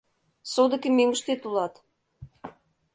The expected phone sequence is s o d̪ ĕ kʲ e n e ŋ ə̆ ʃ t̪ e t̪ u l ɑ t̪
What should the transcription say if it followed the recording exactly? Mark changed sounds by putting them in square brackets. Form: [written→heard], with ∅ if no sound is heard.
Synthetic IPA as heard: s o d̪ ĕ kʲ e [n→m] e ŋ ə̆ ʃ t̪ e t̪ u l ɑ t̪